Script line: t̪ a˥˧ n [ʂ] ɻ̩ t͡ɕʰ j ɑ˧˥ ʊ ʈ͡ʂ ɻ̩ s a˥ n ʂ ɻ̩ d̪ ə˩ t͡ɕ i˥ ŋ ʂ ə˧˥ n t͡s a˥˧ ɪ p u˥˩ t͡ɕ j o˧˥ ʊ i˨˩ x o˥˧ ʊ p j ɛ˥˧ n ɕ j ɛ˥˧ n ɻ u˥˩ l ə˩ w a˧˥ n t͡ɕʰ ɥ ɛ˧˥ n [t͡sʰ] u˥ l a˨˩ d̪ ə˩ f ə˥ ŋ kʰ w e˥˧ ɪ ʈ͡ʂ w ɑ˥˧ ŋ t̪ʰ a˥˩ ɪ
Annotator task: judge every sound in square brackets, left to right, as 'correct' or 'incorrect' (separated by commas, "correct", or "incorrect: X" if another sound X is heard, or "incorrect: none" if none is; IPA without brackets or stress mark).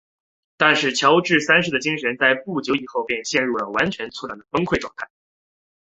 correct, correct